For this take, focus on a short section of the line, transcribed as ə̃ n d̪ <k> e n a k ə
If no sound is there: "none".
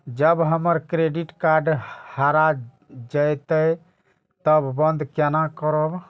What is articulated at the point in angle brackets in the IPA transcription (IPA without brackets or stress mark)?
k